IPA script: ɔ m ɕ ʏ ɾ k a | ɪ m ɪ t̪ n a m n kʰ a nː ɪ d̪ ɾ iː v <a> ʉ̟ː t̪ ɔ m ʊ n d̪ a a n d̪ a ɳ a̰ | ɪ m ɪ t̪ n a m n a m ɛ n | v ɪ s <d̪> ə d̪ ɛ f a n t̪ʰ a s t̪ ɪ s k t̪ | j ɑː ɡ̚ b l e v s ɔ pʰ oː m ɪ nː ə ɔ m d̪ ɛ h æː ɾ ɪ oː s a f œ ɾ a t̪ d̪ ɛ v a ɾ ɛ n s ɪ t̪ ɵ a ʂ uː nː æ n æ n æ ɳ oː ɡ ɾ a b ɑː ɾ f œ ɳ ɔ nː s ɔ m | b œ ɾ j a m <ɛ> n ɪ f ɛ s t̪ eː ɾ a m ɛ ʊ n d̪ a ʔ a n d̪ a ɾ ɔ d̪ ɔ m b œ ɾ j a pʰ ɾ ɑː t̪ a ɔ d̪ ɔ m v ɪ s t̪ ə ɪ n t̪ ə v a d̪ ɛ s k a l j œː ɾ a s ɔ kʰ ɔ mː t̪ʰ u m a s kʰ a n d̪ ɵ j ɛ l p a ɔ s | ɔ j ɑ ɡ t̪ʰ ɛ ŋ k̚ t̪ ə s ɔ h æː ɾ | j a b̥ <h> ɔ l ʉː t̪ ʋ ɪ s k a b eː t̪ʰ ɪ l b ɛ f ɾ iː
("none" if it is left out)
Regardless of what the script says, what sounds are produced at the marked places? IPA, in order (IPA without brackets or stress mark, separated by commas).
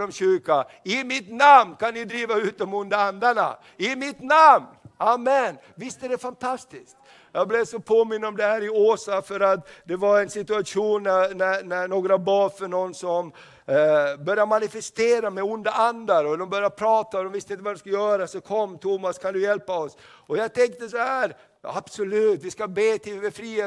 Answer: a, t̪, a, s